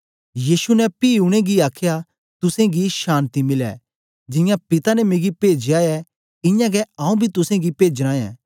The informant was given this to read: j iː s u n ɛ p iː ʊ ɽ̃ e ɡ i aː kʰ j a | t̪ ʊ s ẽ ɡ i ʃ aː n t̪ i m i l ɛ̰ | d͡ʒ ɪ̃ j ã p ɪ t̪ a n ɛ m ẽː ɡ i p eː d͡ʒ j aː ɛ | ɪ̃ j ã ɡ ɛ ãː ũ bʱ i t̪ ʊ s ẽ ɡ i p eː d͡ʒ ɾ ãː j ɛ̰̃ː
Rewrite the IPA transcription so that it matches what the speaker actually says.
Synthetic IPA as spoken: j iː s u n ɛ p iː ʊ ɽ̃ e ɡ i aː kʰ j a | t̪ ʊ s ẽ ɡ i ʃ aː n t̪ i m ɪ l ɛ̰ | d͡ʒ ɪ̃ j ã p ɪ t̪ a n ɛ m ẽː ɡ i p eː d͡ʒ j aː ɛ | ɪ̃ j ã ɡ ɛ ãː ũ bʱ i t̪ ʊ s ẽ ɡ i p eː d͡ʒ ɾ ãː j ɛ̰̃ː

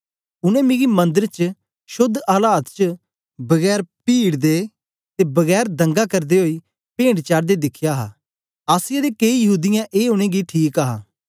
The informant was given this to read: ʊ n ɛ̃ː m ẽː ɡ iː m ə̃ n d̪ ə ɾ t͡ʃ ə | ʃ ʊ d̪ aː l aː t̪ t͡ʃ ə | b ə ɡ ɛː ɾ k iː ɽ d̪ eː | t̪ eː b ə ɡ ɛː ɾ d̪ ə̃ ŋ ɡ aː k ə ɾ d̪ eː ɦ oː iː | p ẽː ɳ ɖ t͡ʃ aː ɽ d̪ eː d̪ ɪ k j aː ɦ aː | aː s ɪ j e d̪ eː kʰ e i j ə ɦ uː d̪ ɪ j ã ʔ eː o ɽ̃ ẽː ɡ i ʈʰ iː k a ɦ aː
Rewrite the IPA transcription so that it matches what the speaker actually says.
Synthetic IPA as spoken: ʊ n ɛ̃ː m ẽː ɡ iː m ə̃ n d̪ ə ɾ t͡ʃ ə | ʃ ʊ d̪ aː l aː t̪ t͡ʃ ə | b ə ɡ ɛː ɾ p iː ɽ d̪ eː | t̪ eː b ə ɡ ɛː ɾ d̪ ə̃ ŋ ɡ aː k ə ɾ d̪ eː ɦ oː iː | p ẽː ɳ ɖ t͡ʃ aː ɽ d̪ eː d̪ ɪ kʰ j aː ɦ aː | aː s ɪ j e d̪ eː k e i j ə ɦ uː d̪ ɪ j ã ʔ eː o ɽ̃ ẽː ɡ i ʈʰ iː k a ɦ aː

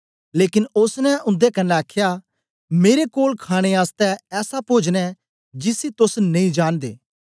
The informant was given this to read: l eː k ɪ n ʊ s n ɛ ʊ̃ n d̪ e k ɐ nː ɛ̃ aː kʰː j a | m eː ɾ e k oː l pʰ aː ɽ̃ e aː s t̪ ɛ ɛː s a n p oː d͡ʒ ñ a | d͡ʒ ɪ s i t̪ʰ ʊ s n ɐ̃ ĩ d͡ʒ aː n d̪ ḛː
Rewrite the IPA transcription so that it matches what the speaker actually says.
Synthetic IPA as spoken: l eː k ɪ n ʊ s n ɛ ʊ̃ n d̪ e k ɐ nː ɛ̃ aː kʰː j a | m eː ɾ e k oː l kʰ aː ɽ̃ e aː s t̪ ɛ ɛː s a p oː d͡ʒ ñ ɛ | d͡ʒ ɪ s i t̪ ʊ s n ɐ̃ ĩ d͡ʒ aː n d̪ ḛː

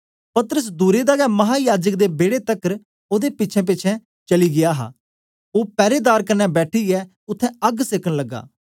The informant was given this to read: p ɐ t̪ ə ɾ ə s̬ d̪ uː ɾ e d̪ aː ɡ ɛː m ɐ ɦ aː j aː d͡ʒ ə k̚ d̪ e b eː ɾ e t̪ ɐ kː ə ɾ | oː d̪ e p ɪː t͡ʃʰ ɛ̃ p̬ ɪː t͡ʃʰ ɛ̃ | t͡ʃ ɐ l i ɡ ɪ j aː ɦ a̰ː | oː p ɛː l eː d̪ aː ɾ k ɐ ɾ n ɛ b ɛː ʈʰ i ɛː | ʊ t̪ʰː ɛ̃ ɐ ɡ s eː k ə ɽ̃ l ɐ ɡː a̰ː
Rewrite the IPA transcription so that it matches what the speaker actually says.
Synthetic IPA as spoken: p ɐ t̪ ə ɾ ə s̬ d̪ uː ɾ e d̪ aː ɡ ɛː m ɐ ɦ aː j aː d͡ʒ ə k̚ d̪ e b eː ɽ e t̪ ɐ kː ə ɾ | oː d̪ e p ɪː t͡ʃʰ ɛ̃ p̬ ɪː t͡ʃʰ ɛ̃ | t͡ʃ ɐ l i ɡ ɪ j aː ɦ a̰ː | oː p ɛː ɾ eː d̪ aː ɾ k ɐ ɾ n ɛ b ɛː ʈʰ i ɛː | ʊ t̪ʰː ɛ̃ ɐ ɡ s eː k ə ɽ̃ l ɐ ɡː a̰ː

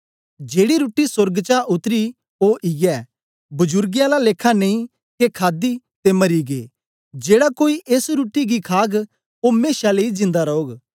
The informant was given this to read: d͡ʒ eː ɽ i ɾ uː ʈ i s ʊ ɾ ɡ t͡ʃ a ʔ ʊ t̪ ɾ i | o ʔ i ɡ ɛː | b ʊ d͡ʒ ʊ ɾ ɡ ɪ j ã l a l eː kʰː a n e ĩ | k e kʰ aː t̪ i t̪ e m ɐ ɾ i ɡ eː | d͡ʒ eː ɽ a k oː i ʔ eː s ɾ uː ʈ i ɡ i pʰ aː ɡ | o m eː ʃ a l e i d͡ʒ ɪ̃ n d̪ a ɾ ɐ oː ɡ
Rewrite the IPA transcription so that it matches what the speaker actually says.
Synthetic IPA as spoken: d͡ʒ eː ɽ i ɾ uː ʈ i s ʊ ɾ ɡ t͡ʃ a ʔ ʊ t̪ ɾ i | o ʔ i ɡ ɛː | b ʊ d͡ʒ ʊ ɾ ɡ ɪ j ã l a l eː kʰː a n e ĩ | k e kʰ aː d̪ i t̪ e m ɐ ɾ i ɡ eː | d͡ʒ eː ɽ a k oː i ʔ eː s ɾ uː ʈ i ɡ i kʰ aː ɡ | o m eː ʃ a l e i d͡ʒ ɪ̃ n d̪ a ɾ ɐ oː ɡ

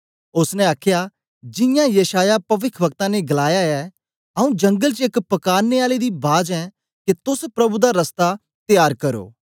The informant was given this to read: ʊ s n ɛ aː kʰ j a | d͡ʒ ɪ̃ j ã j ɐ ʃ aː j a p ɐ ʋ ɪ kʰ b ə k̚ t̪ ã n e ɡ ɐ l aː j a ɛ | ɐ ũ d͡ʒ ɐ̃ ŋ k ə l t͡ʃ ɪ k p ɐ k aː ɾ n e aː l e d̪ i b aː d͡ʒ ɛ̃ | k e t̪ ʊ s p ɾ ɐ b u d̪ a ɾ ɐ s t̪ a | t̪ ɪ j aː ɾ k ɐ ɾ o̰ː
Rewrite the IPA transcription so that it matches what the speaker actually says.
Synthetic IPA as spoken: ʊ s n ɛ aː kʰ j a | d͡ʒ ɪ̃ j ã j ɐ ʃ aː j a p ɐ ʋ ɪ kʰ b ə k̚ t̪ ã n e ɡ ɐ l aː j a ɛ | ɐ ũ d͡ʒ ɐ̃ ŋ ɡ ə l t͡ʃ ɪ k p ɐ k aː ɾ n e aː l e d̪ i b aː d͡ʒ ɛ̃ | k e t̪ ʊ s p ɾ ɐ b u d̪ a ɾ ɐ s t̪ a | t̪ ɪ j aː ɾ k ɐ ɾ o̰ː

